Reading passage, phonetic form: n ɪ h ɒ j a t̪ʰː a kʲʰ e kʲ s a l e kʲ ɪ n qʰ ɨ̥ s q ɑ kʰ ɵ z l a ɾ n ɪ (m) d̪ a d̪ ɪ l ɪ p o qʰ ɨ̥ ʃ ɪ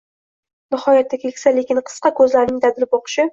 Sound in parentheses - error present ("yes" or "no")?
yes